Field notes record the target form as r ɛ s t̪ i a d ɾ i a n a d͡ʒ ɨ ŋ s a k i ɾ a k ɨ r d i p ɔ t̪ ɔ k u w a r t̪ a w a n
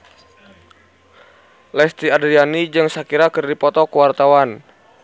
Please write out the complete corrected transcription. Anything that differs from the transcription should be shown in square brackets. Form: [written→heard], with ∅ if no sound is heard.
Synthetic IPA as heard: [r→l] ɛ s t̪ i a d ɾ i a n [a→i] d͡ʒ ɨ ŋ s a k i ɾ a k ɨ r d i p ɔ t̪ ɔ k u w a r t̪ a w a n